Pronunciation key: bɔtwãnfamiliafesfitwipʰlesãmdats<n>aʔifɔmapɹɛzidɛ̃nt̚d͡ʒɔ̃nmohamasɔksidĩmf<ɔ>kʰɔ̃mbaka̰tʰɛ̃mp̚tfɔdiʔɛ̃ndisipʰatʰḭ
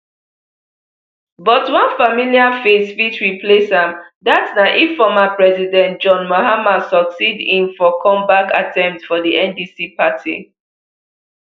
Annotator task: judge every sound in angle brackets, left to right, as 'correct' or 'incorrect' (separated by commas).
correct, correct